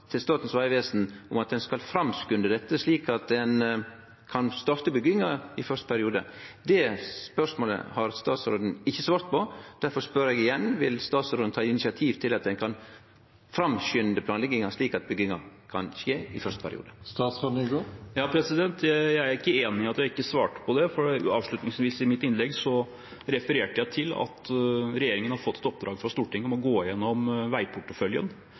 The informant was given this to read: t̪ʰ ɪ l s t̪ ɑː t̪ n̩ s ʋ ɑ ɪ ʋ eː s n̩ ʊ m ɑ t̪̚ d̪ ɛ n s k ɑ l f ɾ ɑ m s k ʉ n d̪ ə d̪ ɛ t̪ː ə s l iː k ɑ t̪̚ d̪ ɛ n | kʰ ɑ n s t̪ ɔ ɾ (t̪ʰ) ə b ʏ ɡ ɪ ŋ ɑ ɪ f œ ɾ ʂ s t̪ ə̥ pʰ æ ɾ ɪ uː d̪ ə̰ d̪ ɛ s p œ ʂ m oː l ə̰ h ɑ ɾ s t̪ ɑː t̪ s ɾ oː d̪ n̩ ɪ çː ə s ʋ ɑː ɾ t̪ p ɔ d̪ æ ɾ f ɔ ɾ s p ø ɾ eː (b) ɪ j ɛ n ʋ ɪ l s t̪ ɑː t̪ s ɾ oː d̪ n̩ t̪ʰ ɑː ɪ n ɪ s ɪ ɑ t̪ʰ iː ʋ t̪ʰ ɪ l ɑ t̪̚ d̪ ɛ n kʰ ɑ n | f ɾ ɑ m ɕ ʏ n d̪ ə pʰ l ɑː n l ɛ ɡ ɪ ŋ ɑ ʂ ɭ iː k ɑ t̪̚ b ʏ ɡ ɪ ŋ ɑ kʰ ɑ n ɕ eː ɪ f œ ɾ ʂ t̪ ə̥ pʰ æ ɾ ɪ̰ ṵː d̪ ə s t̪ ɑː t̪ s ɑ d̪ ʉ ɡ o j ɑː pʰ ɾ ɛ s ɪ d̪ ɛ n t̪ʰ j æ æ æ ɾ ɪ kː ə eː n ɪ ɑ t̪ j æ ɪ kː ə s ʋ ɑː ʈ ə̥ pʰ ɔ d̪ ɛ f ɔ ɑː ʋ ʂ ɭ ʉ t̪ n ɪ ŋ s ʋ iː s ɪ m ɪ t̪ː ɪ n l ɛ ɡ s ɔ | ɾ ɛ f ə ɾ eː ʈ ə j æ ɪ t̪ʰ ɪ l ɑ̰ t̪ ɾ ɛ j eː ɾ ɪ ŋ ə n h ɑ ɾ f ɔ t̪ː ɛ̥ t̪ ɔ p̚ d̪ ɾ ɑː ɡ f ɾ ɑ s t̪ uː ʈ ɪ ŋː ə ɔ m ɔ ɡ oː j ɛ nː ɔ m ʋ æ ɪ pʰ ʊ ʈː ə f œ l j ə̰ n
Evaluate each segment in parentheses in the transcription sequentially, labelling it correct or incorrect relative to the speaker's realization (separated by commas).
incorrect, incorrect